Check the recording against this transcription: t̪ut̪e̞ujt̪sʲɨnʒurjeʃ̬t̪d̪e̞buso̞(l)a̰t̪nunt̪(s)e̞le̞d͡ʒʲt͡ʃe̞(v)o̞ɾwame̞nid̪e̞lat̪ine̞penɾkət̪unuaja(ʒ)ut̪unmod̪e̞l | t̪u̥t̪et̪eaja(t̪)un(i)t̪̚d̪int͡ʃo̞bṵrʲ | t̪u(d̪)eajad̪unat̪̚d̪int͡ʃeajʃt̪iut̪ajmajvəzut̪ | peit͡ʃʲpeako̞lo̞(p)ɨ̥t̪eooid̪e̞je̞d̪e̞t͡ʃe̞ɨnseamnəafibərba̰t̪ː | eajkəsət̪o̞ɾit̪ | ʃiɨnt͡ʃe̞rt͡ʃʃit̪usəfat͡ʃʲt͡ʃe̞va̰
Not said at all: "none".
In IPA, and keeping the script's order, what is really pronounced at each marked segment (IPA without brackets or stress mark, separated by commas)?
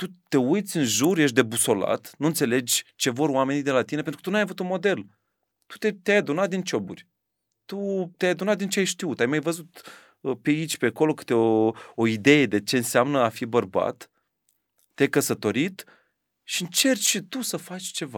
l, s, v, v, d̪, a, t̪, k